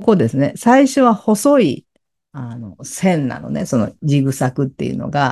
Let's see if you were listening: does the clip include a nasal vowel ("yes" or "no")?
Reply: yes